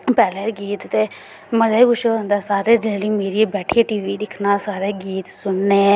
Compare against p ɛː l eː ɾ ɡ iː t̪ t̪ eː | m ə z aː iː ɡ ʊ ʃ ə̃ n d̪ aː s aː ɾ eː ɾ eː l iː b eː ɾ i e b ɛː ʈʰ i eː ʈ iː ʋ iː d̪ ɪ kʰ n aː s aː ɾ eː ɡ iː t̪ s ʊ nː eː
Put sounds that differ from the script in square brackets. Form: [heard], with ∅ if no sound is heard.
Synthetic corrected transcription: p ɛː l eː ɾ ɡ iː t̪ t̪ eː | m ə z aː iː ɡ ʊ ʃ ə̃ n d̪ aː s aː ɾ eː ɾ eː l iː [m] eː ɾ i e b ɛː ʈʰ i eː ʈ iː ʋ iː d̪ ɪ kʰ n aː s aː ɾ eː ɡ iː t̪ s ʊ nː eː